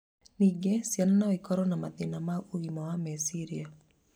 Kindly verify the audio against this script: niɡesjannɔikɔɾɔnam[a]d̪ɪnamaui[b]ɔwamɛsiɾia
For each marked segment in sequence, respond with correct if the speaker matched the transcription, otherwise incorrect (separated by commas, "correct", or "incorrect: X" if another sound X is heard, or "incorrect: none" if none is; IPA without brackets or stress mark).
correct, incorrect: m